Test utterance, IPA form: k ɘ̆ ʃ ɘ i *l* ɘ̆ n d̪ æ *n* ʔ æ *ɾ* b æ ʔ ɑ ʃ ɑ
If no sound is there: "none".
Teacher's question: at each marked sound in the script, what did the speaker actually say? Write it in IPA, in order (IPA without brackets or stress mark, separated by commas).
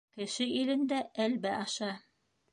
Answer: l, none, l